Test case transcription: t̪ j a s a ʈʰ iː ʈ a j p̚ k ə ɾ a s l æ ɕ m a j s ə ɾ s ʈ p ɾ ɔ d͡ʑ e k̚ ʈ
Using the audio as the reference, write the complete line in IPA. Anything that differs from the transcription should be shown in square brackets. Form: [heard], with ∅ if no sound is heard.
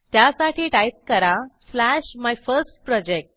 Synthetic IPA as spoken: t̪ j a s a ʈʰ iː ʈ a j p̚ k ə ɾ a s l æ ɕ m a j [f] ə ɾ s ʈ p ɾ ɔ d͡ʑ e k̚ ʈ